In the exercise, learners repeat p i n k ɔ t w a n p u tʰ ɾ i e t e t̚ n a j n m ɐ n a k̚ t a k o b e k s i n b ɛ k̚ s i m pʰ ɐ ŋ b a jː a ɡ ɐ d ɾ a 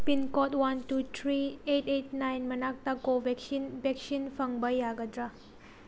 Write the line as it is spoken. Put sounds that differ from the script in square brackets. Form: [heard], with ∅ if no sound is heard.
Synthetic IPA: p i n k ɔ t w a n [t] u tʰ ɾ i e t e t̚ n a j n m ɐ n a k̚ t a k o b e k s i n b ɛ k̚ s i [n] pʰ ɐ ŋ b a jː a ɡ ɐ d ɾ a